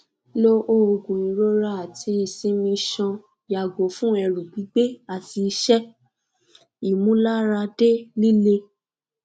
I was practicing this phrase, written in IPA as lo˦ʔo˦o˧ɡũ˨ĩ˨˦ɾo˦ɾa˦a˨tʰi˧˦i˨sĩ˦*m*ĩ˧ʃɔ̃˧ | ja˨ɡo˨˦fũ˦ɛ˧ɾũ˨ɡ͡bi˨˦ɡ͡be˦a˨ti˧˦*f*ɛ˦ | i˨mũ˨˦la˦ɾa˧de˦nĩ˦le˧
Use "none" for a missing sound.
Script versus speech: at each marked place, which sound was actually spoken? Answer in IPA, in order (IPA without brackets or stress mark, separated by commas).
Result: m, ʃ